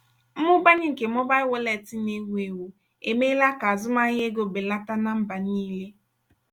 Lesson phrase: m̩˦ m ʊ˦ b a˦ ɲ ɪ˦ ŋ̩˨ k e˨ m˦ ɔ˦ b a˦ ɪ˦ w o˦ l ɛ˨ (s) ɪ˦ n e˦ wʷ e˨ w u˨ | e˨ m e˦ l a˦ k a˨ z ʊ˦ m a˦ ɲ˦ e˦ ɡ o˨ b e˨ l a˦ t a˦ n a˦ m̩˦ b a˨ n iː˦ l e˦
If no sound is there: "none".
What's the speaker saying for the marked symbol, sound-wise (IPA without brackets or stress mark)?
t